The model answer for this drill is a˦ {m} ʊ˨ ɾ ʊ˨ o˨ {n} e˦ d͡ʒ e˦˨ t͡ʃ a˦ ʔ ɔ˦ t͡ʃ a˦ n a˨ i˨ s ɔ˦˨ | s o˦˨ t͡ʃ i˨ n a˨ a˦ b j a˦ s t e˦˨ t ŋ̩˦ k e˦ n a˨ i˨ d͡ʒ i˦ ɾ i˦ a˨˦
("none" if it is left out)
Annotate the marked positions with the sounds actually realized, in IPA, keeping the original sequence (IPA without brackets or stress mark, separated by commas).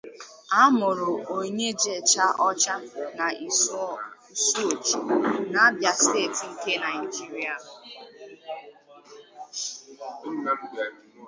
m, ɲ